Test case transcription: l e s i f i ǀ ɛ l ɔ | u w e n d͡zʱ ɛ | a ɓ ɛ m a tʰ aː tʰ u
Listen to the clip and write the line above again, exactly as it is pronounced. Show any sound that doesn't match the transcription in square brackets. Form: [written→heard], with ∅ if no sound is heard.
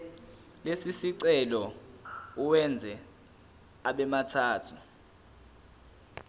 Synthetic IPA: l e s i [f→s] i ǀ ɛ l ɔ | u w [e→ɛ] n d͡zʱ ɛ | a ɓ ɛ m a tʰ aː tʰ u